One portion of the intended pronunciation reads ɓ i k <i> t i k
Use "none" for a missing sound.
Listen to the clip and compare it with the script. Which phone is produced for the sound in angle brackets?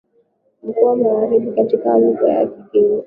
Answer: a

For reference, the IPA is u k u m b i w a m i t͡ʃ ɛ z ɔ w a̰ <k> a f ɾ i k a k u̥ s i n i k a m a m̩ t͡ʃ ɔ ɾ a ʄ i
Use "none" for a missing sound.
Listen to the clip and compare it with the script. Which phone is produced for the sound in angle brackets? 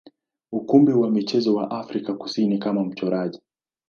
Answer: ʔ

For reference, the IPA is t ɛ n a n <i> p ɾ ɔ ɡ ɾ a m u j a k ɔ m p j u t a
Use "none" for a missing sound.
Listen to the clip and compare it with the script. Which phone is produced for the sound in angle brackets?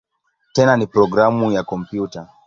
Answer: i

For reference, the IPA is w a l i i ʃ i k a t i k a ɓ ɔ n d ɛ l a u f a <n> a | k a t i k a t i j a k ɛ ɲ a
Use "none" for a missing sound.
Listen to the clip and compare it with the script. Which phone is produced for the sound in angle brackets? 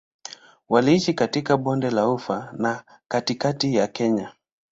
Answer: n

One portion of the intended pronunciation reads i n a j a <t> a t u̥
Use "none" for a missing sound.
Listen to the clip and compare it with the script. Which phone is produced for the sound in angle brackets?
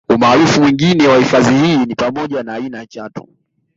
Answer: t͡ʃ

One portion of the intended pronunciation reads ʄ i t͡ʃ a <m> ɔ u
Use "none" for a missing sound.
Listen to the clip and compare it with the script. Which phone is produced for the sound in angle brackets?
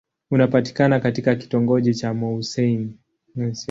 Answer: m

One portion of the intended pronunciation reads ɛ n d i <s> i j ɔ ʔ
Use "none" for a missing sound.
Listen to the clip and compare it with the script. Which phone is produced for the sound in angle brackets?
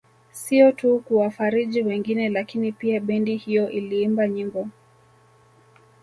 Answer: h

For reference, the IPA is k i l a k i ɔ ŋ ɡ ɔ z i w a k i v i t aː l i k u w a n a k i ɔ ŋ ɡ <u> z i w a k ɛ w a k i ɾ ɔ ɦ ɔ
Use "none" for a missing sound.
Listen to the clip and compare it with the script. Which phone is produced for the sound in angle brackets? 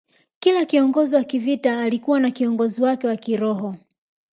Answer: ɔ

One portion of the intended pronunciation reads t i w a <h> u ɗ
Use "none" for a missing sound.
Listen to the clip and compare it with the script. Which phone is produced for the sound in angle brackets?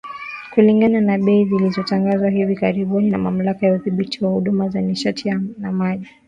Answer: h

